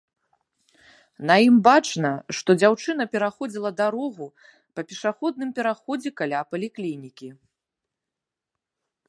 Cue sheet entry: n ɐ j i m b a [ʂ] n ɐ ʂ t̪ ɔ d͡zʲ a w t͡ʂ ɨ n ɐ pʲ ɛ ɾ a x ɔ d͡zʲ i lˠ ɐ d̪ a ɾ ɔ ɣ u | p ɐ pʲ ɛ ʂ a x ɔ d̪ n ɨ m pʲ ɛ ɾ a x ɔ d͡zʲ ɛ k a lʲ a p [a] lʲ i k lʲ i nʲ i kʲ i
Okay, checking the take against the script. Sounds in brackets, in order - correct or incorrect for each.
incorrect, incorrect

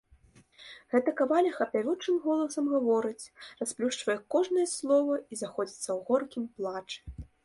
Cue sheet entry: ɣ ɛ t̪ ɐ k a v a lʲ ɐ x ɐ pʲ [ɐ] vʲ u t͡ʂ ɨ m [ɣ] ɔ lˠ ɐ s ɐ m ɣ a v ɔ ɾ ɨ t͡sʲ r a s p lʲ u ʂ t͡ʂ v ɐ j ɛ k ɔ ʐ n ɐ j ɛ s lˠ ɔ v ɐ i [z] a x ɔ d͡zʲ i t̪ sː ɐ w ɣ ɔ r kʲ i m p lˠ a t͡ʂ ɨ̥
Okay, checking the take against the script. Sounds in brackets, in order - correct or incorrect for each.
incorrect, correct, correct

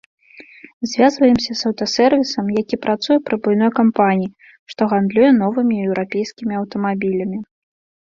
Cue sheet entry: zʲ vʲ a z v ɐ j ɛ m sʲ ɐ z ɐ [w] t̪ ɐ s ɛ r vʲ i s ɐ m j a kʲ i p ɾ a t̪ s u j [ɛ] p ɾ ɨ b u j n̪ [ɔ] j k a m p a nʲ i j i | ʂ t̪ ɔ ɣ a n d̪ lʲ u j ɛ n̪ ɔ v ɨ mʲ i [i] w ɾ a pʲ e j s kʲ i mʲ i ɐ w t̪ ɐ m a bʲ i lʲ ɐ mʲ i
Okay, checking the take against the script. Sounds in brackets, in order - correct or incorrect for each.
correct, correct, correct, incorrect

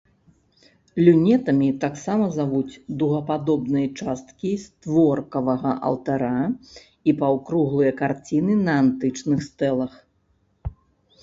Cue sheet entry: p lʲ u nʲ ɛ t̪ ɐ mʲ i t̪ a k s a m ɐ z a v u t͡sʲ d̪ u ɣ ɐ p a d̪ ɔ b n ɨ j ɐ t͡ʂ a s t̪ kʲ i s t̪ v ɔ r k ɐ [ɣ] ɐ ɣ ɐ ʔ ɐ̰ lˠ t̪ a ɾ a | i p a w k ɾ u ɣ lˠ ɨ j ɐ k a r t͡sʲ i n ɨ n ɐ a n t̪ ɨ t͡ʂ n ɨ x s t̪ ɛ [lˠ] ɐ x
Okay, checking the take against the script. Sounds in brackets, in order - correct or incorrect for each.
incorrect, correct

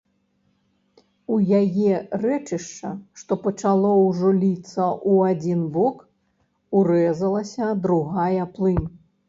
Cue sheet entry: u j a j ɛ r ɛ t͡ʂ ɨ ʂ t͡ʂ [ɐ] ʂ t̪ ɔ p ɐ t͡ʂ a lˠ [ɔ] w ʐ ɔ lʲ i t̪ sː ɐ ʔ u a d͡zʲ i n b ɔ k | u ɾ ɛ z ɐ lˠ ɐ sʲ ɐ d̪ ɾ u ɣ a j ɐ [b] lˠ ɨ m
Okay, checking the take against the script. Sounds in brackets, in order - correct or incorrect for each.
correct, correct, incorrect

